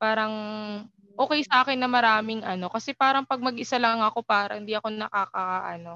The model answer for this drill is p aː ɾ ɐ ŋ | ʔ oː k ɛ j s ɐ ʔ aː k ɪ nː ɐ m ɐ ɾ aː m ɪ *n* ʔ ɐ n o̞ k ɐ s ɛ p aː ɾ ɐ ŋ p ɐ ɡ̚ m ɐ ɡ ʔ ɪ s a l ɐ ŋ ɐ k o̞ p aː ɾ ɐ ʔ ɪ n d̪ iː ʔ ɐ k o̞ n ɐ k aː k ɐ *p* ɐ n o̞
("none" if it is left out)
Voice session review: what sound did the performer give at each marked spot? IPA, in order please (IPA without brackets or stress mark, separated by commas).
ŋ, ʔ